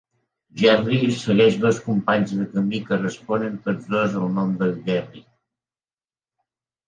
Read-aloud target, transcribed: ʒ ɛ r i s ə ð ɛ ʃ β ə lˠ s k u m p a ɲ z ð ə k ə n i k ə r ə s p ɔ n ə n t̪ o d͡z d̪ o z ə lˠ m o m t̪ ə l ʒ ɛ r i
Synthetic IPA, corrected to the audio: ʒ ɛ r i s ə ɣ ɛ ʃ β ə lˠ s k u m p a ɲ z ð ə k ə m i k ə r ə s p ɔ n ə n t̪ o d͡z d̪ o z ə lˠ n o m d̪ ə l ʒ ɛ r i